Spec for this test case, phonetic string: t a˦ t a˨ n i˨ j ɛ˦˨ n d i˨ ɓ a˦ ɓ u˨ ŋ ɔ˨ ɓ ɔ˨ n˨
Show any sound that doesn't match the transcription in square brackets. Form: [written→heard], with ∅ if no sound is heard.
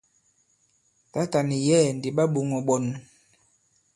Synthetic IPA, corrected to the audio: t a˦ t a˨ n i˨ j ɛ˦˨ n d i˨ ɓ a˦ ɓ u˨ ŋ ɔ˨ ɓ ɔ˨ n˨